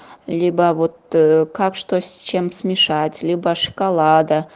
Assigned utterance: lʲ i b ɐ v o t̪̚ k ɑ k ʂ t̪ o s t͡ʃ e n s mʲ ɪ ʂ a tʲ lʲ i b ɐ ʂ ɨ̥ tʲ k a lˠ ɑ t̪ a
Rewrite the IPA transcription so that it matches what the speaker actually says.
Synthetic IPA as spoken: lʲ i b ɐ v o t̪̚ k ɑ k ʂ t̪ o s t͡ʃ e m s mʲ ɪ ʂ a tʲ lʲ i b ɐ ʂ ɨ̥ k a lˠ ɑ d̪ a

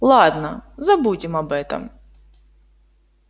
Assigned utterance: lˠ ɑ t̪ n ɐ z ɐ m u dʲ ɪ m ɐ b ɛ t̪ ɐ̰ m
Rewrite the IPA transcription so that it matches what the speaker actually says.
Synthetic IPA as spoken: lˠ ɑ d̪ n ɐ z ɐ b u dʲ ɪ m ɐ b ɛ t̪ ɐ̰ m

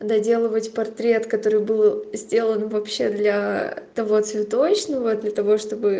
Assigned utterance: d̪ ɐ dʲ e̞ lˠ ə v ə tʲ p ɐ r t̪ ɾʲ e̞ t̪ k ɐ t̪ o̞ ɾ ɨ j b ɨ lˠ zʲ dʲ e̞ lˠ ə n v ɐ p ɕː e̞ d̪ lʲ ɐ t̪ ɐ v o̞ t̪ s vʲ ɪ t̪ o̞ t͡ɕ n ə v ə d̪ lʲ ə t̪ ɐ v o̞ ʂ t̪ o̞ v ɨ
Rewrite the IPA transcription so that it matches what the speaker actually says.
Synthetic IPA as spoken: d̪ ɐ dʲ e̞ lˠ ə v ə tʲ p ɐ r t̪ ɾʲ e̞ t̪ k ɐ t̪ o̞ ɾ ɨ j b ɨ lˠ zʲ dʲ e̞ lˠ ə n v ɐ p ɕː e̞ d̪ lʲ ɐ t̪ ɐ v o̞ t̪ s vʲ ɪ t̪ o̞ t͡ɕ n ə v ə d̪ lʲ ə t̪ ɐ v o̞ ʂ t̪ o̞ b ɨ

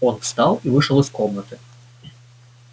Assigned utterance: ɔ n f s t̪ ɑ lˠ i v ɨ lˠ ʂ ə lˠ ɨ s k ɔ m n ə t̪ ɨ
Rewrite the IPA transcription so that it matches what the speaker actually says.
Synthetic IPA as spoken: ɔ n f s t̪ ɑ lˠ i v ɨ ʂ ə lˠ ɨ s k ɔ m n ə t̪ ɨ

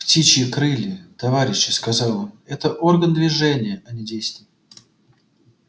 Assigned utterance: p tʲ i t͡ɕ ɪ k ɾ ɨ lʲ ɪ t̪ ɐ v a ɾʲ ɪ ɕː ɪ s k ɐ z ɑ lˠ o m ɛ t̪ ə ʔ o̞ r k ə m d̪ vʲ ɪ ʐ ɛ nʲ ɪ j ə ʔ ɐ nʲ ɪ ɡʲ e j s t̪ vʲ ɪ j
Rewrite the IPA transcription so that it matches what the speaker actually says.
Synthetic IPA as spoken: p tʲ i t͡ɕ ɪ k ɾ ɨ lʲ ɪ t̪ ɐ v a ɾʲ ɪ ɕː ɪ s k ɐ z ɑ lˠ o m ɛ t̪ ə ʔ o̞ r ɡ ə n d̪ vʲ ɪ ʐ ɛ nʲ ɪ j ə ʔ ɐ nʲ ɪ dʲ e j s t̪ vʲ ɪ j

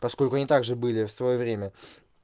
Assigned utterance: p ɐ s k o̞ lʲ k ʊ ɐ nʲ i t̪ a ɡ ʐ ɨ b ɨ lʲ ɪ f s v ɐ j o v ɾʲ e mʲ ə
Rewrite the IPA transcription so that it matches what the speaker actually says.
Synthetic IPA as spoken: p ɐ s k o̞ lʲ k ʊ ɐ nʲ i t̪ a ɡ ʐ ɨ b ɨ lʲ ɪ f s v ɐ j o v ɾʲ e mʲ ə

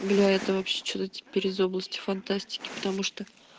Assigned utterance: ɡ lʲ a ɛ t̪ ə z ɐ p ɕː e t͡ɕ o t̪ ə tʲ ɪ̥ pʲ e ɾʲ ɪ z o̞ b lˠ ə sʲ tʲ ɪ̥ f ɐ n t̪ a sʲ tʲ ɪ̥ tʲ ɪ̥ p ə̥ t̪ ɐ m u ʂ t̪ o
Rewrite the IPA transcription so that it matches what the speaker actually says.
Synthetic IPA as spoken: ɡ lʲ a ɛ t̪ ə v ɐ p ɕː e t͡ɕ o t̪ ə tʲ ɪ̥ pʲ e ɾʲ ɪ z o̞ b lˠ ə sʲ tʲ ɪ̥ f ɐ n t̪ a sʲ tʲ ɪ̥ kʲ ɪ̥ p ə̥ t̪ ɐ m u ʂ t̪ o

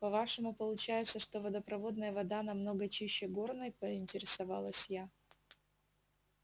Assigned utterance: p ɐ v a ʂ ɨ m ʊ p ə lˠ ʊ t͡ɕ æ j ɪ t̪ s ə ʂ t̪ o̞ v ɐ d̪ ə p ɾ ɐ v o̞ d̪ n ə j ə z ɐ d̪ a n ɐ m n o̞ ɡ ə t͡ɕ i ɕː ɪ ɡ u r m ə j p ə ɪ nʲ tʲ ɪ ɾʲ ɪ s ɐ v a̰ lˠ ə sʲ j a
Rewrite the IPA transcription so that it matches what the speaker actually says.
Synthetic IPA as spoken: p ɐ v a ʂ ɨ m ʊ p ə lˠ ʊ t͡ɕ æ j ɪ t̪ s ə ʂ t̪ o̞ v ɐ d̪ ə p ɾ ɐ v o̞ d̪ n ə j ə v ɐ d̪ a n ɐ m n o̞ ɡ ə t͡ɕ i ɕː ɪ ɡ o r n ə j p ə ɪ nʲ tʲ ɪ ɾʲ ɪ s ɐ v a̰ lˠ ə sʲ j a

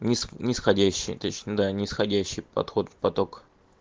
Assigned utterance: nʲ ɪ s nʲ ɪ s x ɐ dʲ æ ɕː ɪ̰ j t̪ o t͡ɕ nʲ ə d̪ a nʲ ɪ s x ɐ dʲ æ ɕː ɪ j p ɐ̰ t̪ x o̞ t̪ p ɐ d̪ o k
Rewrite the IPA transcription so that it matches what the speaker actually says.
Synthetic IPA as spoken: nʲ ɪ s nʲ ɪ s x ɐ dʲ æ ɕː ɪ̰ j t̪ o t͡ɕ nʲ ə d̪ a nʲ ɪ s x ɐ dʲ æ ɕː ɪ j p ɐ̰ t̪ x o̞ t̪ p ɐ t̪ o k

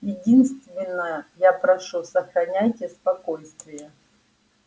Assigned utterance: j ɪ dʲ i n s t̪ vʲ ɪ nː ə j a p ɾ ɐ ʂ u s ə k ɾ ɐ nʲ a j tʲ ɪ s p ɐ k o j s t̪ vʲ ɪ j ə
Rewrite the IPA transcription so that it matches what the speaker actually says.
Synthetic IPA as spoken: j ɪ dʲ i n s t̪ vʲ ɪ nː ə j a p ɾ ɐ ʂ u s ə x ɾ ɐ nʲ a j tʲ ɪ s p ɐ k o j s t̪ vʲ ɪ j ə

